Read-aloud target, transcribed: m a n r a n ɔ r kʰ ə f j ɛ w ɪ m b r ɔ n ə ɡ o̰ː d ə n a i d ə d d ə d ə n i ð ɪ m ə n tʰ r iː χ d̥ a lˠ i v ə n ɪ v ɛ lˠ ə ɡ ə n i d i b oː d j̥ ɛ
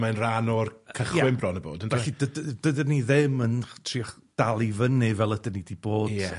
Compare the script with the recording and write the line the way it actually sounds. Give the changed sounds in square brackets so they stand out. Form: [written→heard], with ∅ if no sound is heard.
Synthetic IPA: m a n r a n ɔ r kʰ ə [f→χ] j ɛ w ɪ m b r ɔ n ə [ɡ→b] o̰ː d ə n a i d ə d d ə d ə n i ð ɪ m ə n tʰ r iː χ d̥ a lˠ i v ə n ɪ v ɛ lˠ ə [ɡ→d] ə n i d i b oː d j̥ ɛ